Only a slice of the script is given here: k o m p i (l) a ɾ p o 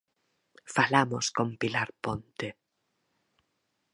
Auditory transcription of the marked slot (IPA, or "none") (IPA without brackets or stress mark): l